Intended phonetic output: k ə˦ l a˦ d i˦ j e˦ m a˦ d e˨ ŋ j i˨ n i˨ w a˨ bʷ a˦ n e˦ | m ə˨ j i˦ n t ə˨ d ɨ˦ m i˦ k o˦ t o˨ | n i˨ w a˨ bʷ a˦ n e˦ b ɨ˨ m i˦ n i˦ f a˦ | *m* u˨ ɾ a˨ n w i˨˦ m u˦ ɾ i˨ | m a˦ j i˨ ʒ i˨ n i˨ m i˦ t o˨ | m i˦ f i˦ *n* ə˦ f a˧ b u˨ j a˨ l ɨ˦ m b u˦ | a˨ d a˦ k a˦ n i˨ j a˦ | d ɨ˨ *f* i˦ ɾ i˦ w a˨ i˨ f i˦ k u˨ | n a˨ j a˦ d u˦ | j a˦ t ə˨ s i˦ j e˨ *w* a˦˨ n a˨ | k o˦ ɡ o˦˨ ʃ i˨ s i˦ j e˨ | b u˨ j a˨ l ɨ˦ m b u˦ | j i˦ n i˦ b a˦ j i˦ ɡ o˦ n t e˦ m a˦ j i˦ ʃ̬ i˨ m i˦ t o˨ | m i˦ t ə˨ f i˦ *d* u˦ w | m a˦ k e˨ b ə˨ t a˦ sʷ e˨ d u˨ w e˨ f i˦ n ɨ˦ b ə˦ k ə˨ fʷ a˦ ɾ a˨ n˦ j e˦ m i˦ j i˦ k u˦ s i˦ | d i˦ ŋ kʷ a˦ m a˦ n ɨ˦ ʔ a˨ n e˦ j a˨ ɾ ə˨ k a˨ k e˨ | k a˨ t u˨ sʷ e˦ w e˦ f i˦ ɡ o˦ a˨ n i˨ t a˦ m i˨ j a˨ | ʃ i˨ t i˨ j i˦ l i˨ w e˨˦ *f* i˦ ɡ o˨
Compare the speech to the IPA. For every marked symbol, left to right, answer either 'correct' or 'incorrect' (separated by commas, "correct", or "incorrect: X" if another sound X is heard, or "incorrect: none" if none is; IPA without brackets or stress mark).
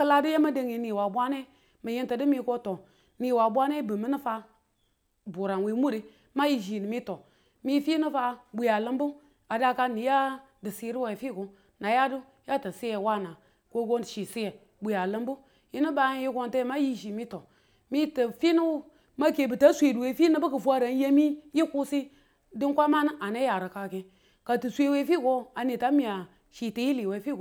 incorrect: b, correct, incorrect: s, correct, incorrect: n, correct